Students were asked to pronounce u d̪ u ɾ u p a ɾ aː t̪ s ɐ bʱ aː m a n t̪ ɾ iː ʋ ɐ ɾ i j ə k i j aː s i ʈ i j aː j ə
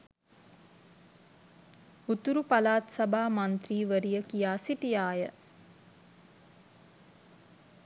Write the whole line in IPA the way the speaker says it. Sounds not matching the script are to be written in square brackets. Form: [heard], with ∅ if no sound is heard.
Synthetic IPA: u [t̪] u ɾ u p a [l] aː t̪ s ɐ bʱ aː m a n t̪ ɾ iː ʋ [ə] ɾ i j ə k i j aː s i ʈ i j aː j ə